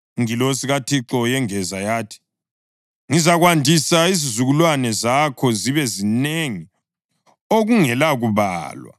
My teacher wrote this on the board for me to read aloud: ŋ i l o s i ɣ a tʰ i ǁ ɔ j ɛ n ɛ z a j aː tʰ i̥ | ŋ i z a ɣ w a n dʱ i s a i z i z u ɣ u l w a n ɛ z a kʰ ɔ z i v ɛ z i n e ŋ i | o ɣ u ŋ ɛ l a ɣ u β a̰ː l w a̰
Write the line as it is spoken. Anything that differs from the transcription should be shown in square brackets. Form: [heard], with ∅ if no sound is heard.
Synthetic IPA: ŋ i l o s i ɣ a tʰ i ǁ ɔ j ɛ [ŋ] ɛ z a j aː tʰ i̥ | ŋ i z a ɣ w a n dʱ i s a i z i z u ɣ u l w a n ɛ z a kʰ ɔ z i [β] ɛ z i n e ŋ i | o ɣ u ŋ ɛ l a ɣ u β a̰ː l w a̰